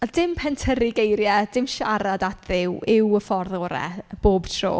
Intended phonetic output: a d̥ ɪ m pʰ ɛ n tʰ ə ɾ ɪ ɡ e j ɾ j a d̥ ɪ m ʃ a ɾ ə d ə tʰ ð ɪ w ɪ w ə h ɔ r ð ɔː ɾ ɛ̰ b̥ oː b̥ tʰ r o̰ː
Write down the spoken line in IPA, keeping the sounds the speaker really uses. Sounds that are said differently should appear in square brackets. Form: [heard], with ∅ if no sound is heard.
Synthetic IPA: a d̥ ɪ m pʰ ɛ n tʰ ə ɾ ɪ ɡ e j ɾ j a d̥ ɪ m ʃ a ɾ [a] d [a] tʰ ð ɪ w ɪ w ə [f] ɔ r ð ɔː ɾ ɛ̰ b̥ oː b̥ tʰ r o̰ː